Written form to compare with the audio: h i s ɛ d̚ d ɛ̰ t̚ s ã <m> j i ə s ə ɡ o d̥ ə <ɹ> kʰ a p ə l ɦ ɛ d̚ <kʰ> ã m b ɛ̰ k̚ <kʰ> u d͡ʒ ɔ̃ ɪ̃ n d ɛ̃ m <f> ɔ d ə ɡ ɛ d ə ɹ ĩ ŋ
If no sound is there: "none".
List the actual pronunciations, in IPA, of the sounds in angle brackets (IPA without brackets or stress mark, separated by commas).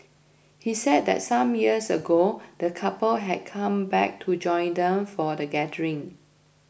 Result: m, none, kʰ, tʰ, f